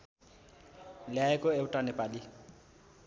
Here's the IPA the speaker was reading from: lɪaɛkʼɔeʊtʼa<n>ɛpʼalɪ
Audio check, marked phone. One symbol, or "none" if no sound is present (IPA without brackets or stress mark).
n